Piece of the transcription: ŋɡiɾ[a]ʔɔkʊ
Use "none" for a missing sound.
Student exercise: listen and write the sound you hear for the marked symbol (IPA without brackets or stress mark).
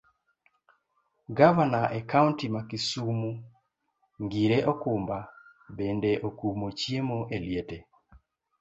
e